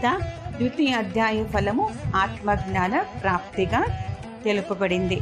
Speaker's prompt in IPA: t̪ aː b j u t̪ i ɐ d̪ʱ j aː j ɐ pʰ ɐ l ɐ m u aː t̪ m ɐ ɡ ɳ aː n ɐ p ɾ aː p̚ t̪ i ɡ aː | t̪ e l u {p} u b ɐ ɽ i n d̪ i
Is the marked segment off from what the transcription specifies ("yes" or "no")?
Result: no